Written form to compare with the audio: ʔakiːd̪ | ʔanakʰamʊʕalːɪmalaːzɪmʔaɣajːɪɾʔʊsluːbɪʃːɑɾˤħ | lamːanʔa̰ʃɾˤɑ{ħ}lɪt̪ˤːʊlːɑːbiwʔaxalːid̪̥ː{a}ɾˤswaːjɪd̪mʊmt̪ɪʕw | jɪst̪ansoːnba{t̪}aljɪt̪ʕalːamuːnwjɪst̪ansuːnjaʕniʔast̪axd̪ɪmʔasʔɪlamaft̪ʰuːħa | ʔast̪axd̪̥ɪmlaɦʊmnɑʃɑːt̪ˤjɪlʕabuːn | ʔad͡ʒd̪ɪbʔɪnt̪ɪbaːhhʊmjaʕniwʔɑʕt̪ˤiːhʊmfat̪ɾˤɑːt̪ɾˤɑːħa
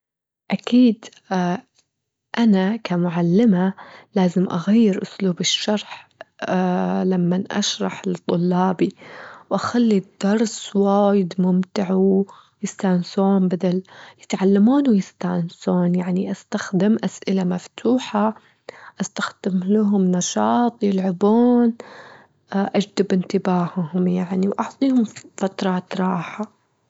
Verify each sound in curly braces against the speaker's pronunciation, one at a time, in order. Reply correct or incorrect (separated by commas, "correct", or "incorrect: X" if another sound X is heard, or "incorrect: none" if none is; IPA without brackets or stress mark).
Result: correct, incorrect: ɑ, incorrect: d̪